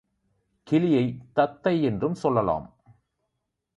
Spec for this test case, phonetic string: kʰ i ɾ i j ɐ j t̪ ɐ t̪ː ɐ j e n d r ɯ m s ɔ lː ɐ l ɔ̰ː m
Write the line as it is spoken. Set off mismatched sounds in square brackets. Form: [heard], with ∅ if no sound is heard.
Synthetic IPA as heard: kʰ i [l] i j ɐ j t̪ ɐ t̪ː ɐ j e n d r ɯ m s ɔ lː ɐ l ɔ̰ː m